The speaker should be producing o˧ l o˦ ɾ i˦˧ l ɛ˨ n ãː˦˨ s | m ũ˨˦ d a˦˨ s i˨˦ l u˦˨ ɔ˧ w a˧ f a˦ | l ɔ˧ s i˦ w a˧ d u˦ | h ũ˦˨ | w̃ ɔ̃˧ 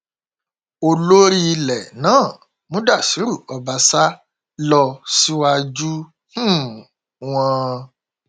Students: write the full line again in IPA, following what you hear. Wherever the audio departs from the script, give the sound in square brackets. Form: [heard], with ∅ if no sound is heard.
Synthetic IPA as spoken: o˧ l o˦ ɾ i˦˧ l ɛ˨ n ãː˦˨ [∅] | m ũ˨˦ d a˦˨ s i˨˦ [ɾ] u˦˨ ɔ˧ [b] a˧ [s] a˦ | l ɔ˧ s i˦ w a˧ [d͡ʒ] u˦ | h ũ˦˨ | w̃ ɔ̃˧